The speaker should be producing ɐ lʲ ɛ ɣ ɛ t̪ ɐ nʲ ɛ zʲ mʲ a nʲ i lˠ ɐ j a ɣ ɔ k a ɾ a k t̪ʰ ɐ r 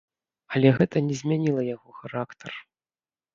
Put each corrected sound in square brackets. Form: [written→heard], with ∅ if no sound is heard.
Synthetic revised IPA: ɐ lʲ ɛ ɣ ɛ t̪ ɐ nʲ ɛ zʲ mʲ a nʲ i lˠ ɐ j a ɣ ɔ [k→x] a ɾ a k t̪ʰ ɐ r